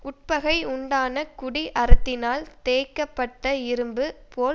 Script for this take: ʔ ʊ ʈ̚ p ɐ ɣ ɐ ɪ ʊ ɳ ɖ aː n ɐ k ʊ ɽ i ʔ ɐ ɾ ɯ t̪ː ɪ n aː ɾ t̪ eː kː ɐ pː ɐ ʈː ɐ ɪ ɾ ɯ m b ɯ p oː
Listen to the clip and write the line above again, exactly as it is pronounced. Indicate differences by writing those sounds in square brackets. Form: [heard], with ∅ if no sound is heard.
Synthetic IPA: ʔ ʊ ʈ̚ p ɐ ɣ ɐ ɪ ʊ ɳ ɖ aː n ɐ k ʊ ɽ i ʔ ɐ ɾ ɯ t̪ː ɪ n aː [l] t̪ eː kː ɐ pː ɐ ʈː ɐ ɪ ɾ ɯ m b ɯ p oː